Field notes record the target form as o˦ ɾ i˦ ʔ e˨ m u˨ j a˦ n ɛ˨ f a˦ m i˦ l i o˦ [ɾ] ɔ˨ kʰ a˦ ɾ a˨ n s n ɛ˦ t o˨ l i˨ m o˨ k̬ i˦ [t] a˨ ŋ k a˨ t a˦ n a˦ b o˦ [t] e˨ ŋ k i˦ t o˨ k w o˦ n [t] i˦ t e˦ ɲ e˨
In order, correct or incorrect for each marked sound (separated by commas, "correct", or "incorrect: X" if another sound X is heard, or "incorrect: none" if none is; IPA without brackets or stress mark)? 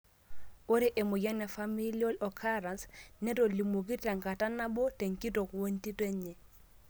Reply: incorrect: l, correct, correct, correct